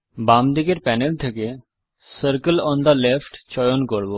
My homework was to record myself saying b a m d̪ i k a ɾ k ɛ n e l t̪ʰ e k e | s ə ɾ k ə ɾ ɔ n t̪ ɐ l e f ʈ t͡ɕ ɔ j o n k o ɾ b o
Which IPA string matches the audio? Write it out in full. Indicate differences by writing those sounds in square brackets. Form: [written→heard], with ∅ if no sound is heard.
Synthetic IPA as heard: b a m d̪ i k [a→e] ɾ [k→p] ɛ n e l t̪ʰ e k e | s ə ɾ k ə [ɾ→l] ɔ n [t̪→d̪] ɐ l e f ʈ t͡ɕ ɔ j o n k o ɾ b o